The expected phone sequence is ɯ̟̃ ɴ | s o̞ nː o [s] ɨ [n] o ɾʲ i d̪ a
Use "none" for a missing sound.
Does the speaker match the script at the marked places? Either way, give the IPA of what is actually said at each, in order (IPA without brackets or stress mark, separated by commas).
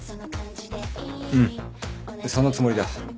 t͡s, m